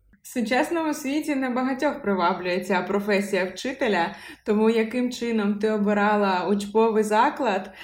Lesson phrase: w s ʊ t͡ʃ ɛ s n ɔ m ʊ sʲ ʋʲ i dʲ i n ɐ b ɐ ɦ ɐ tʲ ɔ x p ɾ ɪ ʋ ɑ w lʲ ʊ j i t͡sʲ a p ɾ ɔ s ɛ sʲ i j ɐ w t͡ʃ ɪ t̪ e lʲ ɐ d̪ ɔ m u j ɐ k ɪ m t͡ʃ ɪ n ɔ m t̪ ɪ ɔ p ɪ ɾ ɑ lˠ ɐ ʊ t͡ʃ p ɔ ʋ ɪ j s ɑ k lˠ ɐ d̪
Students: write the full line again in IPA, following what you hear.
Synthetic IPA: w s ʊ t͡ʃ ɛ s n ɔ m ʊ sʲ ʋʲ i tʲ i n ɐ b ɐ ɦ ɐ tʲ ɔ x p ɾ ɪ ʋ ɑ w lʲ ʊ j e t͡sʲ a p ɾ ɔ f ɛ sʲ i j ɐ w t͡ʃ ɪ t̪ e lʲ ɐ t̪ ɔ m u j ɐ k ɪ m t͡ʃ ɪ n ɔ m t̪ ɪ ɔ b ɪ ɾ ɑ lˠ ɐ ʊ t͡ʃ p ɔ ʋ ɪ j z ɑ k lˠ ɐ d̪